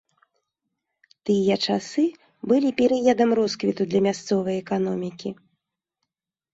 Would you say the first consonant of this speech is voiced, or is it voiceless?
voiceless